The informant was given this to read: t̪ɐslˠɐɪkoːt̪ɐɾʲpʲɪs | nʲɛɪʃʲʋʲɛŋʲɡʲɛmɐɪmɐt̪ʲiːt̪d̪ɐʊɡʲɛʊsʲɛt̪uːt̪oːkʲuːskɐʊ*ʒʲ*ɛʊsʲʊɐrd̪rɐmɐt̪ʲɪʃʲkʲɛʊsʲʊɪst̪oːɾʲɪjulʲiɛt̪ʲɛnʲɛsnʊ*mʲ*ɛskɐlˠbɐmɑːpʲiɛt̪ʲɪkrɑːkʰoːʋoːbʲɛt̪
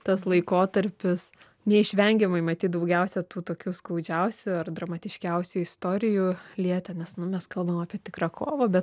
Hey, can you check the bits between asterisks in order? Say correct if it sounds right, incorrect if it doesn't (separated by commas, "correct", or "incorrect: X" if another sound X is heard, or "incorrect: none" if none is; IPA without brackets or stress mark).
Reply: incorrect: d͡ʒʲ, correct